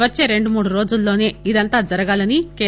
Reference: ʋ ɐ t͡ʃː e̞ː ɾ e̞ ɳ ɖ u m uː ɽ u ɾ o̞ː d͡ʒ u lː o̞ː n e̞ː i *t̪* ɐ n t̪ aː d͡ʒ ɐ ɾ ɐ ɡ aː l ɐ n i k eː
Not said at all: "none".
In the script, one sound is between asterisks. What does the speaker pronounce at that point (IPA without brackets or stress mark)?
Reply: d̪